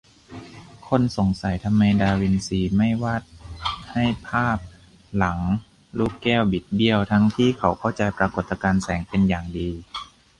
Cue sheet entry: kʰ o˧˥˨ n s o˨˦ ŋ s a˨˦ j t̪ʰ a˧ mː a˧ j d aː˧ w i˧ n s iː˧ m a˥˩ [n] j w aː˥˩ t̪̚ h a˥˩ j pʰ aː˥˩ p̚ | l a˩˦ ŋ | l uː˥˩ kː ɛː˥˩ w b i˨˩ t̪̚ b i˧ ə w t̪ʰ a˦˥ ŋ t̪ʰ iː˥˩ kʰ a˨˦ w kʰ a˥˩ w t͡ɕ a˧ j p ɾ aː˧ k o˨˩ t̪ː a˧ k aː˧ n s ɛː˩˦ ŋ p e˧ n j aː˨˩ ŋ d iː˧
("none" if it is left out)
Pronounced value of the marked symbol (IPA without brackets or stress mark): none